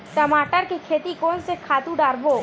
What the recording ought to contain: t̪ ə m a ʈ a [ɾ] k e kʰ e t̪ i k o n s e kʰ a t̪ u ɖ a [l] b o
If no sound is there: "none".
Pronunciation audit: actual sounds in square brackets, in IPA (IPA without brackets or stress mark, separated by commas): ɾ, ɾ